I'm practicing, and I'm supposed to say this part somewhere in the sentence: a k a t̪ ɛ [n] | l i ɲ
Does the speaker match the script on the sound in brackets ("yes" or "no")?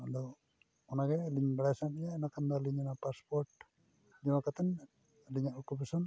yes